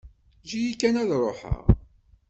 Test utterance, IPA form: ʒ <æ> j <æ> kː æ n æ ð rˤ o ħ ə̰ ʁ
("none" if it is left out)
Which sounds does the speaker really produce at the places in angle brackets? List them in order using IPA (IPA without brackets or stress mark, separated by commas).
i, i